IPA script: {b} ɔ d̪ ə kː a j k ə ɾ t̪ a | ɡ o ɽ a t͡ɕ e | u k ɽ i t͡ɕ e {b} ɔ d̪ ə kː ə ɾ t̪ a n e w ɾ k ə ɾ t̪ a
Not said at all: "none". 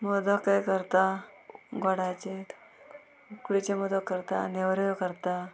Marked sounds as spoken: m, m

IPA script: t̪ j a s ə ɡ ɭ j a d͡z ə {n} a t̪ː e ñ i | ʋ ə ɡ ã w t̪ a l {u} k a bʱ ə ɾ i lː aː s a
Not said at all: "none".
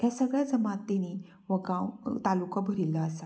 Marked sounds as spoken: m, u

